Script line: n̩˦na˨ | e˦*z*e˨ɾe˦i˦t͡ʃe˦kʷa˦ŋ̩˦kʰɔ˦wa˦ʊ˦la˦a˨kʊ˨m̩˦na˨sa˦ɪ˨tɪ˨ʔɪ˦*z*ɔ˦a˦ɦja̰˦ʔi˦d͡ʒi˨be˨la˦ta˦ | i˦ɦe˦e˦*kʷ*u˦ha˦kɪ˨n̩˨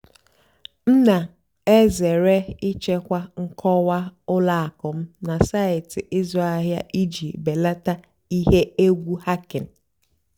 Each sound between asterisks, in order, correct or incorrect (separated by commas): correct, correct, incorrect